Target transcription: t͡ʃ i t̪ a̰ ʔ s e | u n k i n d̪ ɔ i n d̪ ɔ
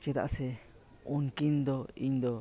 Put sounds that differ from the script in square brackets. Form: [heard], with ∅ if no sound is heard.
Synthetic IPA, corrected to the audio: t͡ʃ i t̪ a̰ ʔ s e | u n k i n d̪ [o] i n d̪ [o]